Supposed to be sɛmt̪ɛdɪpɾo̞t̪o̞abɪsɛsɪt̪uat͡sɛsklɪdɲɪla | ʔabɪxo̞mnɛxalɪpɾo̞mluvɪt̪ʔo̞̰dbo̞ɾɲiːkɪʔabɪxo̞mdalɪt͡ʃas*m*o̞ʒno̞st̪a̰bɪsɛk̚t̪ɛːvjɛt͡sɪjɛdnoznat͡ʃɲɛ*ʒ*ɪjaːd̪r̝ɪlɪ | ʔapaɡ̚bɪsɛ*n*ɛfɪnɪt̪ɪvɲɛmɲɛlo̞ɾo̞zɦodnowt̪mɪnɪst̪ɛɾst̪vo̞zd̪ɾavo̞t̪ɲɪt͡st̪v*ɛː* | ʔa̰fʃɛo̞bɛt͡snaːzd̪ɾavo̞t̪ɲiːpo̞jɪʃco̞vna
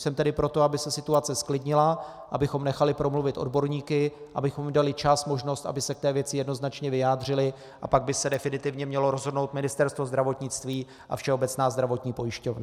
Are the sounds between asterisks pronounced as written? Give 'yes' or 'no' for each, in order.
yes, no, no, no

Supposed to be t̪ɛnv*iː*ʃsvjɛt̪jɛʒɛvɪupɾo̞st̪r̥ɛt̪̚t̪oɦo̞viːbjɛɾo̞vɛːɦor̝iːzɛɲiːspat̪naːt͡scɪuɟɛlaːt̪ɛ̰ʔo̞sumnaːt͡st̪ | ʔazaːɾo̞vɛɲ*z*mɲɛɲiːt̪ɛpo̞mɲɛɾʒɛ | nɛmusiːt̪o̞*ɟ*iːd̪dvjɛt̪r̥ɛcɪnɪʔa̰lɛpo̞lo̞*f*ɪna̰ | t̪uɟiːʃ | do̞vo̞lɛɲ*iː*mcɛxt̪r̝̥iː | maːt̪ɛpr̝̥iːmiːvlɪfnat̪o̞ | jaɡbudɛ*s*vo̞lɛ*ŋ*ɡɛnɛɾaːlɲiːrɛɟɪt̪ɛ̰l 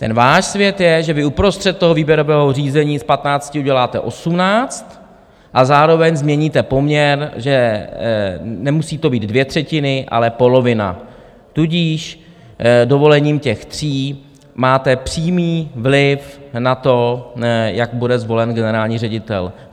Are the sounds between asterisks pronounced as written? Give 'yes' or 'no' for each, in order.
no, yes, no, no, yes, no, no

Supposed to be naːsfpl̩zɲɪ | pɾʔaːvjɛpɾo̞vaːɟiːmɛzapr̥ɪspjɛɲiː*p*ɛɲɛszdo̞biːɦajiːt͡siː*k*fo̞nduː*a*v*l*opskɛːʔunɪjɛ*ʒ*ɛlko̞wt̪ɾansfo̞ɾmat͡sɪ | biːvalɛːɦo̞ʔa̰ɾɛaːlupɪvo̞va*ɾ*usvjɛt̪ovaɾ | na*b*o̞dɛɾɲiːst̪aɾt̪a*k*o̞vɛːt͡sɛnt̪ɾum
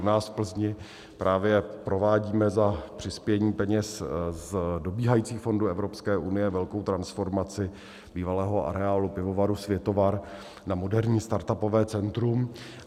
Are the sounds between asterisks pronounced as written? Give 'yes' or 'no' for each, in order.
yes, no, no, no, no, yes, no, no

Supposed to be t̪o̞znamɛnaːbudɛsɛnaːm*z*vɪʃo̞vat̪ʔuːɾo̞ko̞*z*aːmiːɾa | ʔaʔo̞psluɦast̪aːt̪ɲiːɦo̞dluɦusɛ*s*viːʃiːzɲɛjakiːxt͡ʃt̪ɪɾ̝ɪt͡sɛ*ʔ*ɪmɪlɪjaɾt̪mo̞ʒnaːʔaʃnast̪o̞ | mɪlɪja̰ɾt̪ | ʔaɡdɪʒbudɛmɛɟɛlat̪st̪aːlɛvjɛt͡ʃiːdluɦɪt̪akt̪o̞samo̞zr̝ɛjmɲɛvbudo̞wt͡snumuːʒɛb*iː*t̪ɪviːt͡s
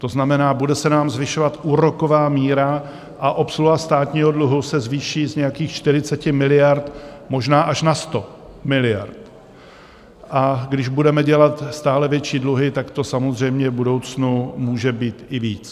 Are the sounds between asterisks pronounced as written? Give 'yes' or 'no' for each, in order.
yes, no, no, no, yes

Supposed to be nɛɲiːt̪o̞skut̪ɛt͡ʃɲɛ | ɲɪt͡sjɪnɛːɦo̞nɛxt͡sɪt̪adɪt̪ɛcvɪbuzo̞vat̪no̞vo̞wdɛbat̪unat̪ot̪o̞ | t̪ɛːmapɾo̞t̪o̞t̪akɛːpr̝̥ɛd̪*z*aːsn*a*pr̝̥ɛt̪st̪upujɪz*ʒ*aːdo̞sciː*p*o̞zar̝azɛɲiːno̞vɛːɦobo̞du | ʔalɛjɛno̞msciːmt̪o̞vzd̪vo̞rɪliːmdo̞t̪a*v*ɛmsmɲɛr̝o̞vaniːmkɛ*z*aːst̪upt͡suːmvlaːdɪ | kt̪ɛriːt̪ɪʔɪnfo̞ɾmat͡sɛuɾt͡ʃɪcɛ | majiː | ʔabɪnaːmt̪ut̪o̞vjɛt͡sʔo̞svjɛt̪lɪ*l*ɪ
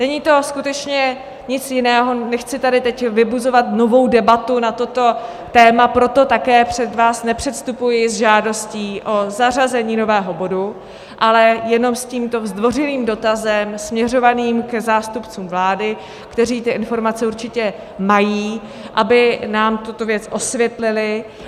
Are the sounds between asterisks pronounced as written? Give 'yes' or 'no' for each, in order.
no, no, yes, no, no, yes, yes

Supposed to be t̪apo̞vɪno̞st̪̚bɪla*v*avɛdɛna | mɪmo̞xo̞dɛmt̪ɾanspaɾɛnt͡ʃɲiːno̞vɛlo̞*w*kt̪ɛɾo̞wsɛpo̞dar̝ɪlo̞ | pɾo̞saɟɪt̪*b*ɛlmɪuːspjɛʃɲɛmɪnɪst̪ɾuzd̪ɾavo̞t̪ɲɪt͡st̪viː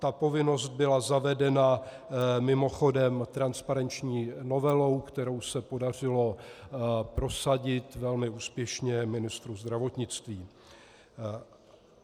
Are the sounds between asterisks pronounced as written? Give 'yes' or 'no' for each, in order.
no, yes, no

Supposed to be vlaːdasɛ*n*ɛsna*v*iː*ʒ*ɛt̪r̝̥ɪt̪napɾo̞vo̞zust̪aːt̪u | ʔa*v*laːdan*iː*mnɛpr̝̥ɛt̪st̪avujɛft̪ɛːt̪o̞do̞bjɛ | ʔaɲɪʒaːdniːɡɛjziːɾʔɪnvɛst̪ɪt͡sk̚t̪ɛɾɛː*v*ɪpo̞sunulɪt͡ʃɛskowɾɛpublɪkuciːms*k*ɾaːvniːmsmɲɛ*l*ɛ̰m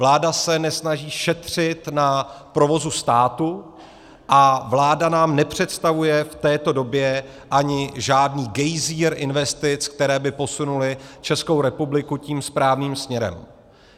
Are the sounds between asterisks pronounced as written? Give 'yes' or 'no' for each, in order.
yes, no, no, yes, no, no, no, no

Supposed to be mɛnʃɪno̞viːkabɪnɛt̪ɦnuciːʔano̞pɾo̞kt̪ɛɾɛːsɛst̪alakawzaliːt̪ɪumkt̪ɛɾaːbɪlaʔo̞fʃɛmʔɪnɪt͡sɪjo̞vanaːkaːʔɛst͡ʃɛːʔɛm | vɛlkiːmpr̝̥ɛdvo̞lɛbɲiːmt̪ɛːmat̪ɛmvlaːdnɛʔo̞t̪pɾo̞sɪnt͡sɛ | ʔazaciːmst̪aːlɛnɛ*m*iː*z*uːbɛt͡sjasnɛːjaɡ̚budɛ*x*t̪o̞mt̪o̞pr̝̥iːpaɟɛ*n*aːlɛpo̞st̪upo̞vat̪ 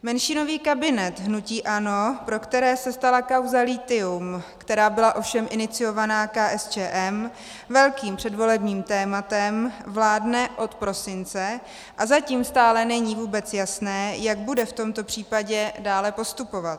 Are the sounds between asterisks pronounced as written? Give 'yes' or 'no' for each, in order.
no, no, no, no

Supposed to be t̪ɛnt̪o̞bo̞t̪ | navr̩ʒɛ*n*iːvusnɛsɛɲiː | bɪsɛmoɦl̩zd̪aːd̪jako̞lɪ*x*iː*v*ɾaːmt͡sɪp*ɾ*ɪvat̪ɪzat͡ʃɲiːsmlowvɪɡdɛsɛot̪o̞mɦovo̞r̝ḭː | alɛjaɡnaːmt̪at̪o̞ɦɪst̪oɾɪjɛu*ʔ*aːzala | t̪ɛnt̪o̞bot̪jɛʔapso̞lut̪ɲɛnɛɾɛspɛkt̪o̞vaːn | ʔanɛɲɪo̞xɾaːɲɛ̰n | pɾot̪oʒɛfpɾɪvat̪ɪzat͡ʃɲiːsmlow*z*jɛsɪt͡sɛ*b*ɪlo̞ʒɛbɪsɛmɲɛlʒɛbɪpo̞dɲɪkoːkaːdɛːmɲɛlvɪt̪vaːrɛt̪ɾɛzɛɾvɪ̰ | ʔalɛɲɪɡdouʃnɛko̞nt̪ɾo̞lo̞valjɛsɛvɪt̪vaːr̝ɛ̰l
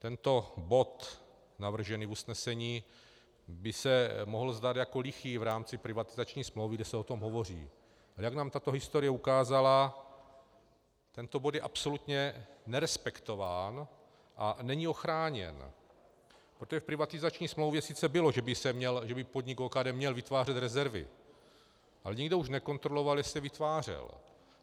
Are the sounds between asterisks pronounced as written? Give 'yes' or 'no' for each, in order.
yes, yes, yes, yes, no, no, yes

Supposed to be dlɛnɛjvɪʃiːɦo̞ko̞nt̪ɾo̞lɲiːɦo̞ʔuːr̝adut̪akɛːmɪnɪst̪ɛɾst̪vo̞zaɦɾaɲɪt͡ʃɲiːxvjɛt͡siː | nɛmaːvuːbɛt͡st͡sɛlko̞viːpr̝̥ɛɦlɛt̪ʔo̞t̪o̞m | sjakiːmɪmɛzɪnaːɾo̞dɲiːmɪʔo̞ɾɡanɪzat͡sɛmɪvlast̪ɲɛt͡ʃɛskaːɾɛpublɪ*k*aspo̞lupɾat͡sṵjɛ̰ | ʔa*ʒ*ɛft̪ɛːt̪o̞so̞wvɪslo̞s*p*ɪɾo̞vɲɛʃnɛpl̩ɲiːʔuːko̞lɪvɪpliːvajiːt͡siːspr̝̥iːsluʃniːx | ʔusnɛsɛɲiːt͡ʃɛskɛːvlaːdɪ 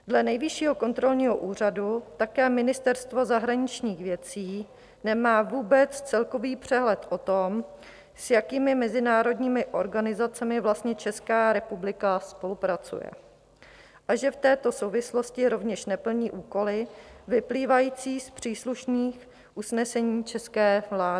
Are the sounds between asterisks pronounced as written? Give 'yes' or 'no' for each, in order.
yes, yes, no

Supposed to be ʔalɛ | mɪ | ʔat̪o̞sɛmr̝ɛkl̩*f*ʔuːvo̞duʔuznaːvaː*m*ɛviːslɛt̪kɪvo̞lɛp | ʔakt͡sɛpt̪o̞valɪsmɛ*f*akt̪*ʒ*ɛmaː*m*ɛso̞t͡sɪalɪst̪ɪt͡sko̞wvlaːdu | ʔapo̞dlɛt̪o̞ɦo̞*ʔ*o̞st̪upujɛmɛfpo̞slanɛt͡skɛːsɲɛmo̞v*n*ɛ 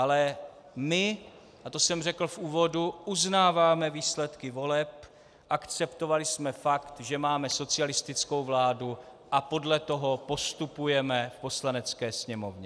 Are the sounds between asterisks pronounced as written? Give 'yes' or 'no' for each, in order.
yes, yes, yes, yes, yes, no, no

